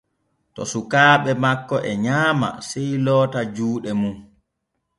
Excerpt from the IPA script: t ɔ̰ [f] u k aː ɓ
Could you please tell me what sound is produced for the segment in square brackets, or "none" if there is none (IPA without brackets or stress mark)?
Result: s